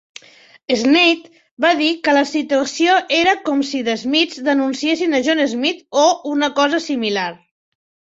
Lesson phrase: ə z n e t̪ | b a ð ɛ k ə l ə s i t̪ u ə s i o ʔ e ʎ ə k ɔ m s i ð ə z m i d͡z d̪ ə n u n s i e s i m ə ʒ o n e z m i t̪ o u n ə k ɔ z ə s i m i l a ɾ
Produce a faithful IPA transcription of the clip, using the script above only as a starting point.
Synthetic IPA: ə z n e t̪ | b a ð i k ə l ə s i t̪ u ə s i o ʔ e ɾ ə k ɔ m s i ð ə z m i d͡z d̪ ə n u n s i e s i n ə ʒ o n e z m i t̪ o u n ə k ɔ z ə s i m i l a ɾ